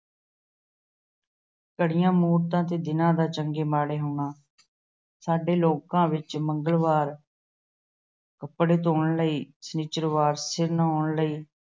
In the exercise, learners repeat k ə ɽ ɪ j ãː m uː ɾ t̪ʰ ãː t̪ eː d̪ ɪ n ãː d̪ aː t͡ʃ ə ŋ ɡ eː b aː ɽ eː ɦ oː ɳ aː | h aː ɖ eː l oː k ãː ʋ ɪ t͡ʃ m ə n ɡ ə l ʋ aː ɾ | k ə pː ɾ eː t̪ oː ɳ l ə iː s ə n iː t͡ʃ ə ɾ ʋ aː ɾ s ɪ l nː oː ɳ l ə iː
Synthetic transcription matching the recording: k ə ɽ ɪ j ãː m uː ɾ t̪ ãː t̪ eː d̪ ɪ n ãː d̪ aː t͡ʃ ə ŋ ɡ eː m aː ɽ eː ɦ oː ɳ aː | s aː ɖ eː l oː k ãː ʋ ɪ t͡ʃ m ə ŋ ɡ ə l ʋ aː ɾ | k ə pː ɽ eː t̪ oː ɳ l ə iː s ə n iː t͡ʃ ə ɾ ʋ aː ɾ s ɪ ɾ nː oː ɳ l ə iː